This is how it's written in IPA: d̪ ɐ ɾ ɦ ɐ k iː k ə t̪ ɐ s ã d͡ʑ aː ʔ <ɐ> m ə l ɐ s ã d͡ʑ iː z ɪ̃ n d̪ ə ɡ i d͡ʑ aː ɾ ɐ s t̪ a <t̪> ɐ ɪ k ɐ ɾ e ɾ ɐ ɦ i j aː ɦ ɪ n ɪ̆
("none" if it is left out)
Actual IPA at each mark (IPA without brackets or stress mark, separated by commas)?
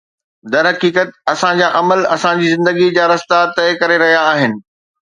ɐ, t̪